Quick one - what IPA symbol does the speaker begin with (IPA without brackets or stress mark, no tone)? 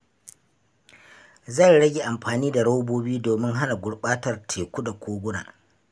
z